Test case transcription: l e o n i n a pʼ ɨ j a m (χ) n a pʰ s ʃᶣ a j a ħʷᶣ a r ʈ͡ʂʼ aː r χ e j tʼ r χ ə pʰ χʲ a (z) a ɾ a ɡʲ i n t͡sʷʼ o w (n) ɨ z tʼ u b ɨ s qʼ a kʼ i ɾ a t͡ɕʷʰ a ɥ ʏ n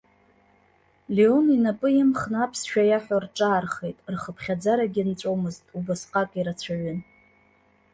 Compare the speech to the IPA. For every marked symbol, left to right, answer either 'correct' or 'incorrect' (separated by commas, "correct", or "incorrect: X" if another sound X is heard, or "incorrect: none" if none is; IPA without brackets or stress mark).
correct, incorrect: d͡z, incorrect: m